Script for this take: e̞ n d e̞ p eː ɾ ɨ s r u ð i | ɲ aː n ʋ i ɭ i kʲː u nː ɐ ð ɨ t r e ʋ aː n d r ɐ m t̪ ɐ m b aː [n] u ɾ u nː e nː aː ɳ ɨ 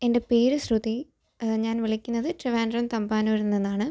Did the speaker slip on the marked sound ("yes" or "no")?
no